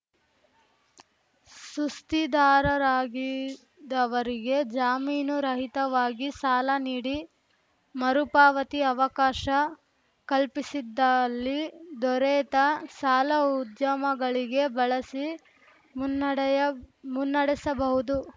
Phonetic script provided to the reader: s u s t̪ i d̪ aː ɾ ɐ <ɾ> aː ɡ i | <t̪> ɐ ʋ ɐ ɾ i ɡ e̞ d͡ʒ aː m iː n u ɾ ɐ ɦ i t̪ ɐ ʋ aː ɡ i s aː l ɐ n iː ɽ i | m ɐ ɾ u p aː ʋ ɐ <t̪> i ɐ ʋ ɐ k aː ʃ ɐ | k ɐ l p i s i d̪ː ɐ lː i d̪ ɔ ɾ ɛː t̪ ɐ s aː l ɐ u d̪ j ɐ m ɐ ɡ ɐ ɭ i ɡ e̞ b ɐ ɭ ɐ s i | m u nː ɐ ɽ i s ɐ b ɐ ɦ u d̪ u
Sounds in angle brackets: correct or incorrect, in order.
correct, incorrect, correct

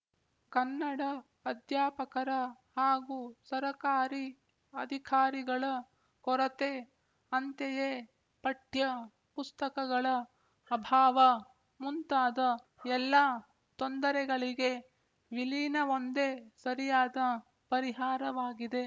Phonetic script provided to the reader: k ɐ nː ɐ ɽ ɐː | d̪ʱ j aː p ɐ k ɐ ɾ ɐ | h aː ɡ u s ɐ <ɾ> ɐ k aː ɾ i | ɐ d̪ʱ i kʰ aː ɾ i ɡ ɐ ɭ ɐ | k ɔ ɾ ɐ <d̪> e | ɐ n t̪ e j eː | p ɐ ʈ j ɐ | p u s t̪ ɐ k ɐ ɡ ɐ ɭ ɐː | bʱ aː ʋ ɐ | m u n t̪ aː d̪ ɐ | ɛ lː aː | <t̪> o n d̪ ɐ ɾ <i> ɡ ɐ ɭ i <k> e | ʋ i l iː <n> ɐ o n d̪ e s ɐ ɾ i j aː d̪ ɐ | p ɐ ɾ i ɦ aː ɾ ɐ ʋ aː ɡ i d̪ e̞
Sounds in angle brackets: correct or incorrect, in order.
correct, incorrect, correct, incorrect, incorrect, correct

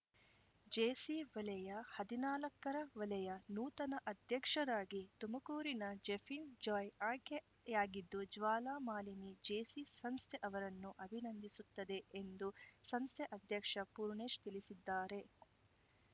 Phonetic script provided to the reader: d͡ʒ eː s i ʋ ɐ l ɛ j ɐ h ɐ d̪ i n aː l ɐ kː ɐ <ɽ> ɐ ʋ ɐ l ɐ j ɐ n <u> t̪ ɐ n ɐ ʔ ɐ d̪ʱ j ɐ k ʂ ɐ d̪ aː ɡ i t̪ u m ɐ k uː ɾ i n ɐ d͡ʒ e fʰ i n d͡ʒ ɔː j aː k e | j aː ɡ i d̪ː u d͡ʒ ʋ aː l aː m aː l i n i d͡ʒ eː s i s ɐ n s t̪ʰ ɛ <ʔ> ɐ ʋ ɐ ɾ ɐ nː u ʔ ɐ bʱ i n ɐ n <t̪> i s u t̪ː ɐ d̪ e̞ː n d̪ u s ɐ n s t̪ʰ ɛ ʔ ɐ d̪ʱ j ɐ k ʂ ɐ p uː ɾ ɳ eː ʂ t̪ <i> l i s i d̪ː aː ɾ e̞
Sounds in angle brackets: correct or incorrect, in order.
incorrect, incorrect, correct, incorrect, correct

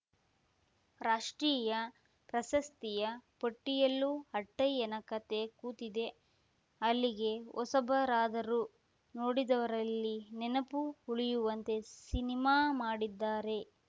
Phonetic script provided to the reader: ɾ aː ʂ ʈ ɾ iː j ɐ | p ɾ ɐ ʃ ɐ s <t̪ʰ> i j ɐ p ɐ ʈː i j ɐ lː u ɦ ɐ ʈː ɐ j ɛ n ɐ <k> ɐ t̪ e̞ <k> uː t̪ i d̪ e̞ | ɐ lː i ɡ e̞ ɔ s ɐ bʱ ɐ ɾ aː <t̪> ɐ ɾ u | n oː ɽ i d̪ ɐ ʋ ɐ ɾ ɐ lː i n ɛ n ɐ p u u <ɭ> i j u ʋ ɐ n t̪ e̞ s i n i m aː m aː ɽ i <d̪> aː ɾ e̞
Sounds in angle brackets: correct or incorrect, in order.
incorrect, correct, correct, incorrect, correct, incorrect

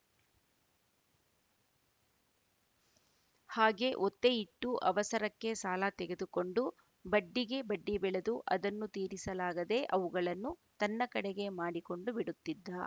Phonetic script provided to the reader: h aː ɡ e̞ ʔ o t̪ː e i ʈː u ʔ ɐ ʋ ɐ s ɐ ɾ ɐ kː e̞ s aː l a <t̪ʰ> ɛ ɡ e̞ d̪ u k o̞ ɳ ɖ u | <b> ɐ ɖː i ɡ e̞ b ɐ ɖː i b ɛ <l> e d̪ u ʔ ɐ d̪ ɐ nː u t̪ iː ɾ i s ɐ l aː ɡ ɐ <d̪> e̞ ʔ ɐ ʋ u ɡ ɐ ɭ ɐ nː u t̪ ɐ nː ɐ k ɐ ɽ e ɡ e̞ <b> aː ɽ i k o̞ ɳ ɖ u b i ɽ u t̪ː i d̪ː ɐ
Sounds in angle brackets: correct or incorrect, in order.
incorrect, correct, incorrect, correct, incorrect

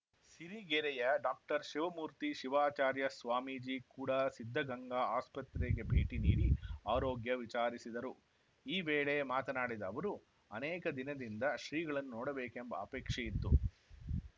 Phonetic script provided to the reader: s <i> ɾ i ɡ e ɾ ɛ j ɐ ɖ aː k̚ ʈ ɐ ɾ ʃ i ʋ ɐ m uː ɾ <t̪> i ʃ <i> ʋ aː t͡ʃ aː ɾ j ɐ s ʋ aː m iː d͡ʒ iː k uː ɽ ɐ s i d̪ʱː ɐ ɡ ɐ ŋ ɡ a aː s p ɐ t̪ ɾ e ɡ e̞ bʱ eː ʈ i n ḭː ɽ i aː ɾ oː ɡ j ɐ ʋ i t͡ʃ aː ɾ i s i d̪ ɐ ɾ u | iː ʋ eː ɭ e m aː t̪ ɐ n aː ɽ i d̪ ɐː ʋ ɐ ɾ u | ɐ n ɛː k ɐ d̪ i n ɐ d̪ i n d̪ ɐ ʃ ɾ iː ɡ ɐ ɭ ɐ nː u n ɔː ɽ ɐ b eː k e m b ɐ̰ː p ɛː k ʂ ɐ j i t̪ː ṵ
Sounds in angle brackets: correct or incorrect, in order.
correct, correct, correct

